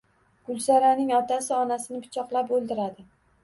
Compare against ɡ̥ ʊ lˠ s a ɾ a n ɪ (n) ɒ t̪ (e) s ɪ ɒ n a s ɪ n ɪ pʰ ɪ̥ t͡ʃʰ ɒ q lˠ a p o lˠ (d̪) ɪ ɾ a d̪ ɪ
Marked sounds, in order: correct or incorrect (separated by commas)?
incorrect, incorrect, correct